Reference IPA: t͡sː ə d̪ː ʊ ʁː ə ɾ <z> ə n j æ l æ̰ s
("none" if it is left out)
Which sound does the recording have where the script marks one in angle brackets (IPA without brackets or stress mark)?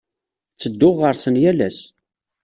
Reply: s